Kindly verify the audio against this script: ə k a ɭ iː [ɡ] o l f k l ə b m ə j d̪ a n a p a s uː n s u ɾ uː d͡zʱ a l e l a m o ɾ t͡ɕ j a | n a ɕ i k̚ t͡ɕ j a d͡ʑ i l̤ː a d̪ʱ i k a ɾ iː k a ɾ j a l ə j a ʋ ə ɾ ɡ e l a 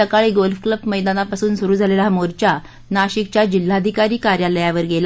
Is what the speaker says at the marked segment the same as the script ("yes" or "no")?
yes